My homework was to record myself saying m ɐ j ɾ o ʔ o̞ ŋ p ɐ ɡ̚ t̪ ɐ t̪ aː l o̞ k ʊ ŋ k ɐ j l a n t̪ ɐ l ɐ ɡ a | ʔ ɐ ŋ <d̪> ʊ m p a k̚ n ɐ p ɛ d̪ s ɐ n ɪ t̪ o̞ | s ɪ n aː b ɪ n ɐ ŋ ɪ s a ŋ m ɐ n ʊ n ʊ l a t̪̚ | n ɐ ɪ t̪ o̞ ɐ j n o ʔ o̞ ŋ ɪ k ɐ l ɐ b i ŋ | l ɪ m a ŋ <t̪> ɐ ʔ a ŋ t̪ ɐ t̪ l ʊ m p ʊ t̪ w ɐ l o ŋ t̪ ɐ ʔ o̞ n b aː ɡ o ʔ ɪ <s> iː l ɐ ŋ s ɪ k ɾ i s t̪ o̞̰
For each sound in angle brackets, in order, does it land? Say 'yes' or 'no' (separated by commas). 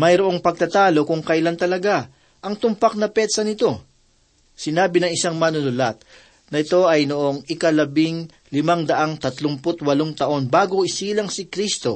no, no, yes